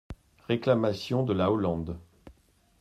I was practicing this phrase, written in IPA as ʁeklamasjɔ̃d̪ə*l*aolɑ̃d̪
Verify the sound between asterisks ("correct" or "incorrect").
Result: correct